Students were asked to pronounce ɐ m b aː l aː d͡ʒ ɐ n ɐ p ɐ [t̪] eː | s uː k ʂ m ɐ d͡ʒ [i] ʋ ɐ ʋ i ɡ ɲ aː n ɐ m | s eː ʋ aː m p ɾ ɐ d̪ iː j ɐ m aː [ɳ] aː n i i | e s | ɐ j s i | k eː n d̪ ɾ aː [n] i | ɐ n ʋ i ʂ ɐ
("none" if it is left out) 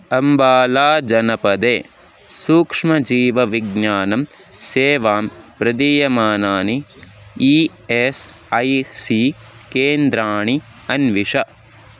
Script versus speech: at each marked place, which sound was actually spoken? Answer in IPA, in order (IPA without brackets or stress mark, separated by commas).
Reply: d̪, iː, n, ɳ